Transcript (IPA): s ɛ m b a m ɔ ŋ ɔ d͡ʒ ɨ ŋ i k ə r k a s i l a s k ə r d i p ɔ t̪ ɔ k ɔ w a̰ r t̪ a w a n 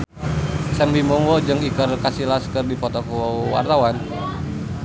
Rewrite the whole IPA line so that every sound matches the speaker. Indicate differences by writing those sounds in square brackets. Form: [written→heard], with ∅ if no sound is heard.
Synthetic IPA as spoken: s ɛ m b [a→i] m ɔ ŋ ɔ d͡ʒ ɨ ŋ i k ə r k a s i l a s k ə r d i p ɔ t̪ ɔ k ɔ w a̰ r t̪ a w a n

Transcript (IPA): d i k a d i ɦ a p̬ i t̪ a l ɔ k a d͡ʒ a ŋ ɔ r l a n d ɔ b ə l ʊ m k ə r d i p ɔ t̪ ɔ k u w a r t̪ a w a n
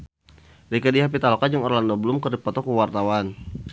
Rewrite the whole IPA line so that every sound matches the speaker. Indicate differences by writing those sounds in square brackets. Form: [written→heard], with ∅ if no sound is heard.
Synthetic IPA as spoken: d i k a d i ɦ a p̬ i t̪ a l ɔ k a d͡ʒ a ŋ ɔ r l a n d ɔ b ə l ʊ m k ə r d i p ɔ t̪ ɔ k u w a r t̪ a w a n

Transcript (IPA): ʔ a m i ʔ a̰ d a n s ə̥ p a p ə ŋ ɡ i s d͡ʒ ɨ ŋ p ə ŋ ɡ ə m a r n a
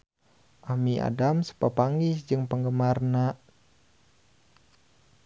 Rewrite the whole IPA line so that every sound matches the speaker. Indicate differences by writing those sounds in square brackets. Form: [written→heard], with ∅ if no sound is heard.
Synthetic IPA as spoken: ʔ a m i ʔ a̰ d a [n→m] s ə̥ p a p [ə→a] ŋ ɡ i s d͡ʒ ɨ ŋ p ə ŋ ɡ ə m a r n a

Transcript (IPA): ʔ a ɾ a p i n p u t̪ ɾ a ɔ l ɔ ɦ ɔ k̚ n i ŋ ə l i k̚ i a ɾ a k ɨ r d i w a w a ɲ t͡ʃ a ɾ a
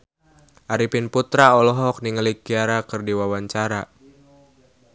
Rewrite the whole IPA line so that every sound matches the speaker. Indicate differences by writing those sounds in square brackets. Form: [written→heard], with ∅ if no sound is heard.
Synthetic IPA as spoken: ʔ a ɾ [a→i] p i n p u t̪ ɾ a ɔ l ɔ ɦ ɔ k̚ n i ŋ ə l i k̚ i a ɾ a k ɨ r d i w a w a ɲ t͡ʃ a ɾ a

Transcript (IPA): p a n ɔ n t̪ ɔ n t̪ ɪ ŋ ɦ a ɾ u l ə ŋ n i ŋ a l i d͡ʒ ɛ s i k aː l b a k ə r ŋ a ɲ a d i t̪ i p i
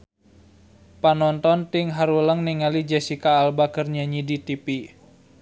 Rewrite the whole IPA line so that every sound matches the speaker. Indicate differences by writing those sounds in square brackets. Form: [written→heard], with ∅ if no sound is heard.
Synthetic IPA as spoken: p a n ɔ n t̪ ɔ n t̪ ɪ ŋ ɦ a ɾ u l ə ŋ n i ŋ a l i d͡ʒ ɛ s i k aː l b a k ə r [ŋ→ɲ] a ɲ [a→i] d i t̪ i p i

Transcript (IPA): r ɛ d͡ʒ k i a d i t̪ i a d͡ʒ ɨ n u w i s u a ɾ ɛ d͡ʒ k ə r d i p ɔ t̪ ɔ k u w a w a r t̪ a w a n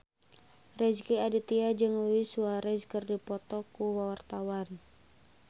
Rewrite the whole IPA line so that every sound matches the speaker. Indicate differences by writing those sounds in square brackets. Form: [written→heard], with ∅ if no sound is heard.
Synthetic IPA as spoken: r ɛ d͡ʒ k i a d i t̪ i a d͡ʒ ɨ [n→ŋ] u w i s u a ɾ ɛ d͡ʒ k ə r d i p ɔ t̪ ɔ k u w a w a r t̪ a w a n

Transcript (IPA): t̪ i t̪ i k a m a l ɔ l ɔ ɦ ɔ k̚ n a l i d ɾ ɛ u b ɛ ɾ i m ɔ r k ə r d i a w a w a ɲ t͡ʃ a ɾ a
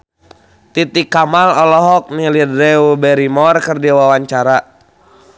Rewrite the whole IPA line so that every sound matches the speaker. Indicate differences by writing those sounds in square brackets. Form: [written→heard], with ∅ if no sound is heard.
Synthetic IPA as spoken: t̪ i t̪ i k a m a l ɔ l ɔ ɦ ɔ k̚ n [a→i] l i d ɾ ɛ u b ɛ ɾ i m ɔ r k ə r d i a w a w a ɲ t͡ʃ a ɾ a

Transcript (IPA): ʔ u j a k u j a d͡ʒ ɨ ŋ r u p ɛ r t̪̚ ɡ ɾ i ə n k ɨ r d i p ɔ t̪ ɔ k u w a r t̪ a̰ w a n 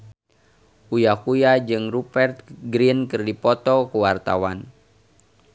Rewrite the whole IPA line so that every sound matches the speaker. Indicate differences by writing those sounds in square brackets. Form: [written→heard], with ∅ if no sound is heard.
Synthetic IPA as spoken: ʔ u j a k u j a d͡ʒ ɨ ŋ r u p ɛ r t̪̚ ɡ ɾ i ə n k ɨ r d i p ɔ t̪ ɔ k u w a r t̪ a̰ w a n

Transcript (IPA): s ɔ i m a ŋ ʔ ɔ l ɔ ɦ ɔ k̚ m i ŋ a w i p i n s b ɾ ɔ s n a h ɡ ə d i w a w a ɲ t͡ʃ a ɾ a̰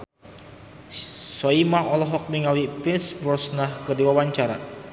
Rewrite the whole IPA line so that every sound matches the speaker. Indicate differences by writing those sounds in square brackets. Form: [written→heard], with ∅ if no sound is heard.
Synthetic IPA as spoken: s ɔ i m a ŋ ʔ ɔ l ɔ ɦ ɔ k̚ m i ŋ a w i p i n s b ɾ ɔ s n a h [ɡ→k] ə d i w a w a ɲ t͡ʃ a ɾ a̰

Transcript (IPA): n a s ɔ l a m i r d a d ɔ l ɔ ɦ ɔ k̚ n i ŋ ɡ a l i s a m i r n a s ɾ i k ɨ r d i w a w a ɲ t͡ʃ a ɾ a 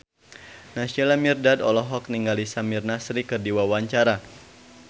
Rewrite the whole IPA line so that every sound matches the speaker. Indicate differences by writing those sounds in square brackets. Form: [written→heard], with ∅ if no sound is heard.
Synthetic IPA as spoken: n a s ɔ l a m i r d a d ɔ l ɔ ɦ ɔ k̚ n i ŋ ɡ a l i s a m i r n a s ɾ i k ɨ r d i w a w a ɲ t͡ʃ a ɾ a

